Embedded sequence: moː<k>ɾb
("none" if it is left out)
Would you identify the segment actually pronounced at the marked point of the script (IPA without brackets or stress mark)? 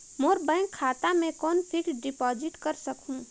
none